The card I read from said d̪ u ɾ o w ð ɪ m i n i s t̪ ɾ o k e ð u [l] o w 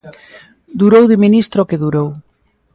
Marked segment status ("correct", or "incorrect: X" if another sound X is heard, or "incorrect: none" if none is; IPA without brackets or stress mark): incorrect: ɾ